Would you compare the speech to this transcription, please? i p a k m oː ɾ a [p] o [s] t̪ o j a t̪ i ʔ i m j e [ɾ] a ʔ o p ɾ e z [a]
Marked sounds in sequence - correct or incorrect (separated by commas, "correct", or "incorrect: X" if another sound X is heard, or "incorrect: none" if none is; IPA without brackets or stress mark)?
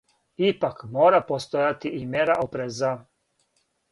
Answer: correct, correct, correct, correct